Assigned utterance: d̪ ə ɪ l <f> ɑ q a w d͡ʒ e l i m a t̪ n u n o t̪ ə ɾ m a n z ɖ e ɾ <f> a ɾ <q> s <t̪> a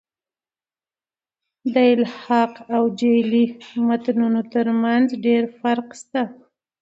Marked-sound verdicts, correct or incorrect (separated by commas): incorrect, correct, correct, correct